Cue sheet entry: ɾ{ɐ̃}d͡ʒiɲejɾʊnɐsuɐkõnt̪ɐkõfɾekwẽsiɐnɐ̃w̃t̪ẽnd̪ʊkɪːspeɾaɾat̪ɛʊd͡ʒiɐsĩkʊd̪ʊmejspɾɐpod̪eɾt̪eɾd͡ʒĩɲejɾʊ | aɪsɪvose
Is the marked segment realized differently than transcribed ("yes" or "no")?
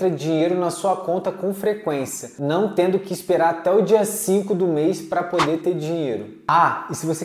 yes